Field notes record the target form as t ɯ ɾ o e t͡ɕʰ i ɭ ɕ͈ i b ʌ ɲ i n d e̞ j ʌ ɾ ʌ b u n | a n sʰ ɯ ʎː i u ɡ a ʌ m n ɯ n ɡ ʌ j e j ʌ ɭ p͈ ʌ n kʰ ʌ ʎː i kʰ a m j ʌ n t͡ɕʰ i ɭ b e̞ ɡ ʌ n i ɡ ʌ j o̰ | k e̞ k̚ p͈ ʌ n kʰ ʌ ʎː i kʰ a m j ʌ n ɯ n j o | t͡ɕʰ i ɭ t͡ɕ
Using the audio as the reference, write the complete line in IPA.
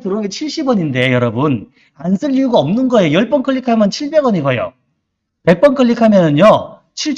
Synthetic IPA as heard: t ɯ ɾ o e t͡ɕʰ i ɭ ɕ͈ i b ʌ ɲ i n d e̞ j ʌ ɾ ʌ b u n | a n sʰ ɯ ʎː i u ɡ a ʌ m n ɯ n ɡ ʌ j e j ʌ ɭ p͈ ʌ n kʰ ʌ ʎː i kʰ a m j ʌ n t͡ɕʰ i ɭ b e̞ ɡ ʌ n i ɡ ʌ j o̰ | p e̞ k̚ p͈ ʌ n kʰ ʌ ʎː i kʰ a m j ʌ n ɯ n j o | t͡ɕʰ i ɭ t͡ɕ